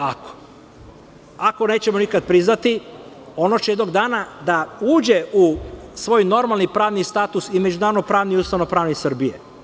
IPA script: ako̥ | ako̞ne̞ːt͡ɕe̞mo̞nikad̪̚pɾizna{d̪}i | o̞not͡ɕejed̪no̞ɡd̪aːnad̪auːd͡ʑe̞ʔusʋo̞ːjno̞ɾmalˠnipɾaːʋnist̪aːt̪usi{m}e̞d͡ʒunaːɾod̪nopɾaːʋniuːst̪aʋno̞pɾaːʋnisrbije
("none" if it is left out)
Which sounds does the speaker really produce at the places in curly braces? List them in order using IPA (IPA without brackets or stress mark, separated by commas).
t̪, m